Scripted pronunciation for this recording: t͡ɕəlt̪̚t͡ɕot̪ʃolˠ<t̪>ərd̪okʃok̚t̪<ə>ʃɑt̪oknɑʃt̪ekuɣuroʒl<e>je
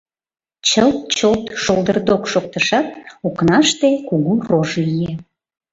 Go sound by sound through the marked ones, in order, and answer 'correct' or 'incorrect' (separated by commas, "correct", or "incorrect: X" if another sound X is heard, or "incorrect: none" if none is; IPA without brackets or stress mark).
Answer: incorrect: d̪, correct, incorrect: i